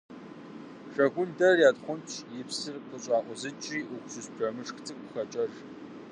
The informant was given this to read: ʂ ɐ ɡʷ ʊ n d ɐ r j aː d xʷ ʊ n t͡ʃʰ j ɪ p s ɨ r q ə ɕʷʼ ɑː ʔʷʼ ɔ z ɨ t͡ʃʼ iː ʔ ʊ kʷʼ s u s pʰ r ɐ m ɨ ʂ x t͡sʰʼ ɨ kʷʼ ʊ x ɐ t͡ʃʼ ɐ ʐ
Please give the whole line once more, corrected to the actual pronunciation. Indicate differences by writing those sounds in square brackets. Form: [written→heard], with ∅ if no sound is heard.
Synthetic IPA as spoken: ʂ ɐ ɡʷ ʊ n d ɐ r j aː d [xʷ→χʷ] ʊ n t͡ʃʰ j ɪ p s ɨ r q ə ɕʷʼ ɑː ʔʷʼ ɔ z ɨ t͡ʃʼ iː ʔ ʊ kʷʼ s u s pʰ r ɐ m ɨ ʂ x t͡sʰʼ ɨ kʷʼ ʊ x ɐ t͡ʃʼ ɐ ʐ